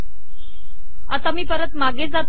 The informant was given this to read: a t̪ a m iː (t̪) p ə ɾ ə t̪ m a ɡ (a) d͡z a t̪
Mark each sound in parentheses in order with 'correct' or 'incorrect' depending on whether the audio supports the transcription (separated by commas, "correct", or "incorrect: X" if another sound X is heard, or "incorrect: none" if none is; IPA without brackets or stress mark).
incorrect: none, incorrect: e